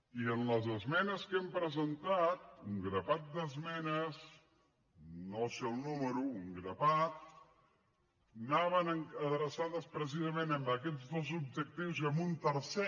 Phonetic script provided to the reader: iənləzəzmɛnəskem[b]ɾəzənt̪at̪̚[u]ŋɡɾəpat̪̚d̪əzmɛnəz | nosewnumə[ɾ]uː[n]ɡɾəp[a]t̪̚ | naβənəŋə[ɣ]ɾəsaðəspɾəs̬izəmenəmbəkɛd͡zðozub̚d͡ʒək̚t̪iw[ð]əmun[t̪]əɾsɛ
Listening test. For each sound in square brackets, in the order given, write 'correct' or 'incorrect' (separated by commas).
incorrect, correct, correct, incorrect, correct, incorrect, incorrect, correct